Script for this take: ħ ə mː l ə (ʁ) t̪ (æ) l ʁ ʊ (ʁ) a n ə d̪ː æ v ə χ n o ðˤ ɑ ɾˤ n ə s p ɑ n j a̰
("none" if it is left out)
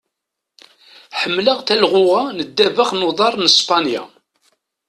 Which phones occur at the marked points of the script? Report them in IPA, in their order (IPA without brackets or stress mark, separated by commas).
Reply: ʁ, æ, ʁ